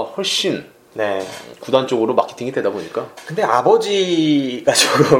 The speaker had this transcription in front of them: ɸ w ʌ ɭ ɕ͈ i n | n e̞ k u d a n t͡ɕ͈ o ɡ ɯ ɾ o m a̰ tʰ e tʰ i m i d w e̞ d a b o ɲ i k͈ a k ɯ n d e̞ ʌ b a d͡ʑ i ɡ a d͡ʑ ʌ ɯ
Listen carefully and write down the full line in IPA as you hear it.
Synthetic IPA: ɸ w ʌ ɭ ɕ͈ i n | n e̞ k u d a n t͡ɕ͈ o ɡ ɯ ɾ o m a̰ kʰ e tʰ i ŋ i d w e̞ d a b o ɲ i k͈ a k ɯ n d e̞ a b ʌ d͡ʑ i ɡ a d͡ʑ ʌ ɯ